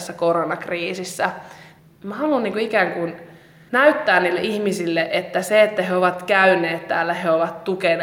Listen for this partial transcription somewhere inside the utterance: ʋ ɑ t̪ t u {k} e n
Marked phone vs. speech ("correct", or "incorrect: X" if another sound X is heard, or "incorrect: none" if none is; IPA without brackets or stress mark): correct